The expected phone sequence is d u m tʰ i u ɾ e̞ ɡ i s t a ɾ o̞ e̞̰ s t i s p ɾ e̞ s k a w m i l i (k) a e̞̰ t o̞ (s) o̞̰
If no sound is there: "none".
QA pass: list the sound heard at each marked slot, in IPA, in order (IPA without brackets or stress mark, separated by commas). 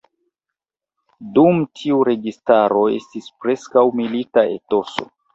t, s